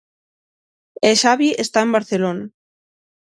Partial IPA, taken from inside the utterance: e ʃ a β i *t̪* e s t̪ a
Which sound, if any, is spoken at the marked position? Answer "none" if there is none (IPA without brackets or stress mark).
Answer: none